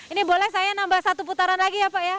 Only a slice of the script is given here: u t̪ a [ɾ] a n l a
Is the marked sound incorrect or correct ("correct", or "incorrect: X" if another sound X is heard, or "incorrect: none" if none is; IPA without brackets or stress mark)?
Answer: correct